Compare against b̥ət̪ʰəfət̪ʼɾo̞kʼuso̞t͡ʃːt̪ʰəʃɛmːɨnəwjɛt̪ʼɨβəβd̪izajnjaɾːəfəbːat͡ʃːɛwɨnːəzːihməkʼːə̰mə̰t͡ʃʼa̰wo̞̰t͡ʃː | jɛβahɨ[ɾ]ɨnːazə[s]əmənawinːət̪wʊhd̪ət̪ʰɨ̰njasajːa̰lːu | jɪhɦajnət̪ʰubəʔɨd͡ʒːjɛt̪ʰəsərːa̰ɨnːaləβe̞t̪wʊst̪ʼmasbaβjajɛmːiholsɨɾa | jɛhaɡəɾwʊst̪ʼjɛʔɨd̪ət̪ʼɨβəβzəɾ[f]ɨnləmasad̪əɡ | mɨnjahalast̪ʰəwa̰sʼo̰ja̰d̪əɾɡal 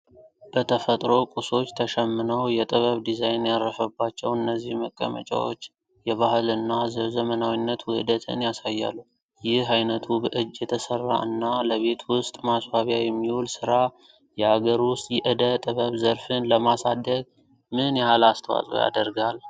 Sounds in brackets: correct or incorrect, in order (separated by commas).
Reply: incorrect, incorrect, correct